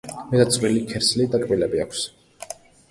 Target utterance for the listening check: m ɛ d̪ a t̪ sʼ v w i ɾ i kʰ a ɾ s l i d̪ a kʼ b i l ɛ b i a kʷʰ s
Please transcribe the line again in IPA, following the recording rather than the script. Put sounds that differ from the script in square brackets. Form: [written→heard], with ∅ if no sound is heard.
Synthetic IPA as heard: m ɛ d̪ a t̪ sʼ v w i [ɾ→l] i kʰ [a→ɛ] ɾ s l i d̪ a kʼ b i l ɛ b i a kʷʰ s